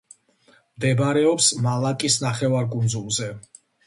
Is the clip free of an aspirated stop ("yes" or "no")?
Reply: yes